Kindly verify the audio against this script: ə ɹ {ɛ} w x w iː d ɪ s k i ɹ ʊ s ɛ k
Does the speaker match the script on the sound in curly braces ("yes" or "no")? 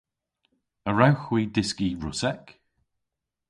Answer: no